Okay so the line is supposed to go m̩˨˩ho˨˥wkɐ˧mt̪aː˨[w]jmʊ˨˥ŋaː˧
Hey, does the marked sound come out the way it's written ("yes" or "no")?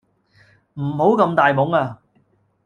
no